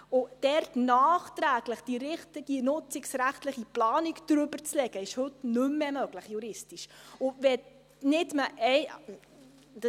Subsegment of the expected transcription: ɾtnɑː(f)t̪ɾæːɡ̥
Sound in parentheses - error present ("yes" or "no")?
yes